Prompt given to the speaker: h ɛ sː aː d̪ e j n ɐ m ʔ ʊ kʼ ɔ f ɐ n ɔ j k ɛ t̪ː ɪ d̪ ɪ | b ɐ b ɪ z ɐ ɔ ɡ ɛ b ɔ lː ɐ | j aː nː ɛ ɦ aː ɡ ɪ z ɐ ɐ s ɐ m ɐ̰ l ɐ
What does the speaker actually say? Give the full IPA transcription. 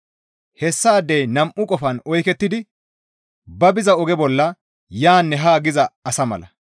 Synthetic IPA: h ɛ sː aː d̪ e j n ɐ m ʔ ʊ kʼ ɔ f ɐ n ɔ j k ɛ t̪ː ɪ d̪ ɪ | b ɐ b ɪ z ɐ ɔ ɡ ɛ b ɔ lː ɐ | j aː nː ɛ ɦ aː ɡ ɪ z ɐ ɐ s ɐ m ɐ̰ l ɐ